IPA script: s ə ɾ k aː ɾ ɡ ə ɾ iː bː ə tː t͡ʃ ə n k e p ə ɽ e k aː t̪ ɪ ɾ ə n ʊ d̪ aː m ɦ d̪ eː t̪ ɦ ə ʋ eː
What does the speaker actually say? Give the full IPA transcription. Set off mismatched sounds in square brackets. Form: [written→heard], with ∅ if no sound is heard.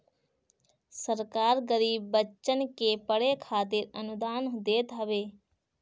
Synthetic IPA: s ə ɾ k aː ɾ ɡ ə ɾ iː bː ə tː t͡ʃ ə n k e p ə ɽ e [k→kʰ] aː t̪ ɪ ɾ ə n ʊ d̪ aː [m→n] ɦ d̪ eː t̪ ɦ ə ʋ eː